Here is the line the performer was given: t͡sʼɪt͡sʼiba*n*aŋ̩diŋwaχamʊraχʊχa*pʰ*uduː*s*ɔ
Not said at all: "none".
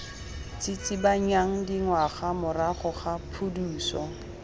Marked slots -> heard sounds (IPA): ɲ, pʰ, s

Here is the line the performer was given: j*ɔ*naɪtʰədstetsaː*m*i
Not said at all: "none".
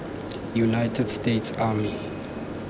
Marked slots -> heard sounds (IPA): u, m

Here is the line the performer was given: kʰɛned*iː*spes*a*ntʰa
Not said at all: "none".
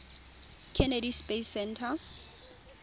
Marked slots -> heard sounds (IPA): i, ɛ

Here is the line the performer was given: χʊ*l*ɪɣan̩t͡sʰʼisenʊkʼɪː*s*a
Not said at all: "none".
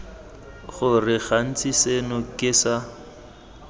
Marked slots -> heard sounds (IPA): r, s

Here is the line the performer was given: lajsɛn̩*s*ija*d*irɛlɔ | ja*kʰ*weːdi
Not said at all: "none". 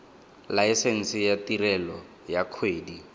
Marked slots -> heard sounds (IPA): s, t, kʰ

